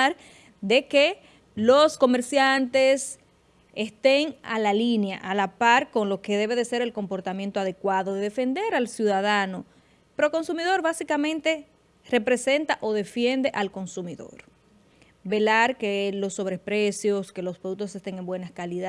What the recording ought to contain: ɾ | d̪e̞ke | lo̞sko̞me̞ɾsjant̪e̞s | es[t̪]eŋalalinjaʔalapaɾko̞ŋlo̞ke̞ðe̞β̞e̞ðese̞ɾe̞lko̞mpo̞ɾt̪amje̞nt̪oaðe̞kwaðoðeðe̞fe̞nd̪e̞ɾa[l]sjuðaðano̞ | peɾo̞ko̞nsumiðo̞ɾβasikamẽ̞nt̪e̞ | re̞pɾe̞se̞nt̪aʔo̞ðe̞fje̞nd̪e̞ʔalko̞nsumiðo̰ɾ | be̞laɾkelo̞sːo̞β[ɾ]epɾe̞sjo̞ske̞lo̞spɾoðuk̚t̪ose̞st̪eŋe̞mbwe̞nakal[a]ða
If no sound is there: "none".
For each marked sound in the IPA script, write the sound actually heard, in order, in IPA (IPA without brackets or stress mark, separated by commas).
t̪, l, ɾ, i